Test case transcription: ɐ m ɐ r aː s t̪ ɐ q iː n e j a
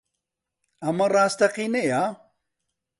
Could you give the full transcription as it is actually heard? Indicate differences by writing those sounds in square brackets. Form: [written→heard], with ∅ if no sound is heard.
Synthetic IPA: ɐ m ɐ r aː s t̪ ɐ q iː n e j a